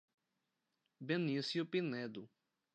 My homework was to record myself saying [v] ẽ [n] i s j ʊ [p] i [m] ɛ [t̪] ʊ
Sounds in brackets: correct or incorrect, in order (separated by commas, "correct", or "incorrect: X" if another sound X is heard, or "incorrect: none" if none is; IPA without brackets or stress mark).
incorrect: b, correct, correct, incorrect: n, incorrect: d̪